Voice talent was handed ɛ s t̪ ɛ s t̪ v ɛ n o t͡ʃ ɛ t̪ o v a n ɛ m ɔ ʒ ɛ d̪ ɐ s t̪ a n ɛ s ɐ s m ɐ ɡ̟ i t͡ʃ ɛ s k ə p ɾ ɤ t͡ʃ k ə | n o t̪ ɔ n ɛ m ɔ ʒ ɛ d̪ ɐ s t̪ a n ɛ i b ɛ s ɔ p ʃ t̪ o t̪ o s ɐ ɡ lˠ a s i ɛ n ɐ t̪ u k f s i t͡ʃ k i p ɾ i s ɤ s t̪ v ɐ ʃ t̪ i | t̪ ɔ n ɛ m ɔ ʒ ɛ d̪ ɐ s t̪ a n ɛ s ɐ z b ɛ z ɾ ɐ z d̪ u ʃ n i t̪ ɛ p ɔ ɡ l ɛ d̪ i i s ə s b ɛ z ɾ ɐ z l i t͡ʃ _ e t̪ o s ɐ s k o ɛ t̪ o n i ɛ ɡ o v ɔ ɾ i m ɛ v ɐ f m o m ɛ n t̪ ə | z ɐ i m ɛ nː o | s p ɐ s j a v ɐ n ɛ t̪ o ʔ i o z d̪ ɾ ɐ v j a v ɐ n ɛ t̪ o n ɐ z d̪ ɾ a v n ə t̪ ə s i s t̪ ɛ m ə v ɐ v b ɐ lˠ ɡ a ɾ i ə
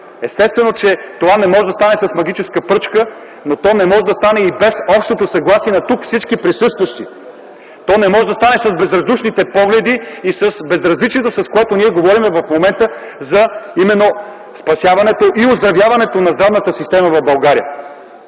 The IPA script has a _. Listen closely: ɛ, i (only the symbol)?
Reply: i